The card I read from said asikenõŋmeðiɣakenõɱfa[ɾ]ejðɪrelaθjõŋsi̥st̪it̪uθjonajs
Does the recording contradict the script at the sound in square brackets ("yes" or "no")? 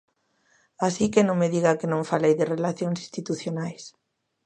yes